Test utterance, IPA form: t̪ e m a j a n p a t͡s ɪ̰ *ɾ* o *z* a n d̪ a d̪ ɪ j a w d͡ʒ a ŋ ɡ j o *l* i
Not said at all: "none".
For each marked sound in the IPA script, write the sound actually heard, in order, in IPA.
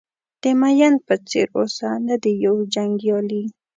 ɾ, s, l

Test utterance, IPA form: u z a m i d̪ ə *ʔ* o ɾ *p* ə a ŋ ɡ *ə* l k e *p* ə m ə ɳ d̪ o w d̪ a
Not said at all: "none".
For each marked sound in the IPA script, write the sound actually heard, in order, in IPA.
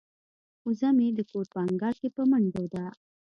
k, p, ɑ, p

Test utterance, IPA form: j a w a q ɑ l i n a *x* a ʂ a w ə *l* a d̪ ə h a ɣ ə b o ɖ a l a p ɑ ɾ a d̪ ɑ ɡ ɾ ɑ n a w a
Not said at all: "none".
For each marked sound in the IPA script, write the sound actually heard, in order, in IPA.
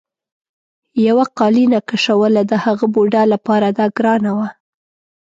k, l

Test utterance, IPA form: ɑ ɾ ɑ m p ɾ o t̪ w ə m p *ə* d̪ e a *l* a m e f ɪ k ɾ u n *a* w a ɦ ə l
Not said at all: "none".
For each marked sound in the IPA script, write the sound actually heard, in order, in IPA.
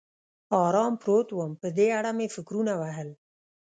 ə, ɽ, a

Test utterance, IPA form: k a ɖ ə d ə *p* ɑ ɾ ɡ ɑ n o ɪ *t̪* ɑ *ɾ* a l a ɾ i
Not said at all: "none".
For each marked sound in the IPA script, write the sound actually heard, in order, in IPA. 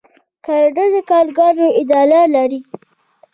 k, d̪, l

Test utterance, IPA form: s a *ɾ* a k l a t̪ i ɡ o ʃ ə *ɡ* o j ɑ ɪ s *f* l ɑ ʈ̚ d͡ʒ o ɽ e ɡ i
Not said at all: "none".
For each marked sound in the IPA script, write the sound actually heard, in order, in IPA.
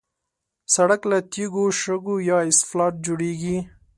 ɽ, ɡ, f

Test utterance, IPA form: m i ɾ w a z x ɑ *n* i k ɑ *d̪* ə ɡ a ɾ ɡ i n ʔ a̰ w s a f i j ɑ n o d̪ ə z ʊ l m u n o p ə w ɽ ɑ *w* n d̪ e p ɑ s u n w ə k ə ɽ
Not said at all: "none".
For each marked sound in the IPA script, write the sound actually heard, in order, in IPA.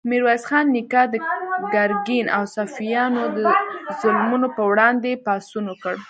nː, d̪, none

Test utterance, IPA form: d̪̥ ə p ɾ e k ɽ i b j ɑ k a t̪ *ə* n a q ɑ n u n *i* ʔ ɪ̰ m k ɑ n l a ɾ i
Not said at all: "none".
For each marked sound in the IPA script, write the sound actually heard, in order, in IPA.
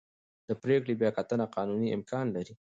ə, i

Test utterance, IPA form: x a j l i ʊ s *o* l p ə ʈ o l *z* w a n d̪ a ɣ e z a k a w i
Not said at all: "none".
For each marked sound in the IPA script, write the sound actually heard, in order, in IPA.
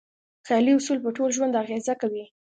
u, ʒ

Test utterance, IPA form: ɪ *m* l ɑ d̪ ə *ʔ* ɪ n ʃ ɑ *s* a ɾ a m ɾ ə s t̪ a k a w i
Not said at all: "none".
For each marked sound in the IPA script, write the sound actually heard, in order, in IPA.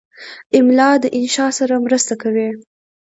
m, ʔ, s

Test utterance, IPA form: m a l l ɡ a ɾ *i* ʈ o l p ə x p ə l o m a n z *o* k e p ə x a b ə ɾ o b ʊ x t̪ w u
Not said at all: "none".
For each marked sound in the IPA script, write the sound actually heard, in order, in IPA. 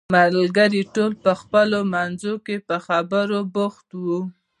i, o

